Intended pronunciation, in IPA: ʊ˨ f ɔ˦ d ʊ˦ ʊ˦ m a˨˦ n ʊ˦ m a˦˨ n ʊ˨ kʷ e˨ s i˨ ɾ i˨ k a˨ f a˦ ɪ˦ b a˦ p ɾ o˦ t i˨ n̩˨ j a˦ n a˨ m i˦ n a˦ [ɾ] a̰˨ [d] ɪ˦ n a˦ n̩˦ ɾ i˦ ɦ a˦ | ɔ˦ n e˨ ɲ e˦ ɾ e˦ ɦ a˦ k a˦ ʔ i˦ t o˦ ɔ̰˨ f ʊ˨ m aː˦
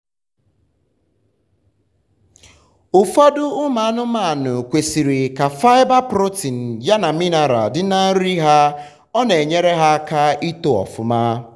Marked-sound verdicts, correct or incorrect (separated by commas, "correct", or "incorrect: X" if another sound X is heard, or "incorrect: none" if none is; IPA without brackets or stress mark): correct, correct